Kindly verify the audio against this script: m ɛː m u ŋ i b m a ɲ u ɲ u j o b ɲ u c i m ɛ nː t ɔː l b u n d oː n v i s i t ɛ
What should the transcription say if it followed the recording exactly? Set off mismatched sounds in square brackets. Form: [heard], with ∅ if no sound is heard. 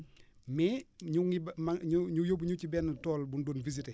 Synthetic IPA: m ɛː [ɲ] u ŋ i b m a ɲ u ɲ u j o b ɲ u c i [b] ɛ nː t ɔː l b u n d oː n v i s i t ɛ